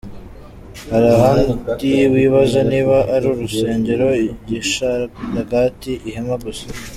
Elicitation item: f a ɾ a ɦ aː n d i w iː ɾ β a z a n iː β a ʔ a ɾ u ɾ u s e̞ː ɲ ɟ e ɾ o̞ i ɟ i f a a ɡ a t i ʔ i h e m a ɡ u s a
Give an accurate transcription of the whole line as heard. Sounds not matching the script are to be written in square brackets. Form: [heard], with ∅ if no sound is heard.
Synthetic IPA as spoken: [h] a ɾ a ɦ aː n d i w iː [∅] β a z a n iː β a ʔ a ɾ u ɾ u s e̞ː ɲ ɟ e ɾ o̞ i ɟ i [ʃ] a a ɡ a t i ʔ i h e m a ɡ u s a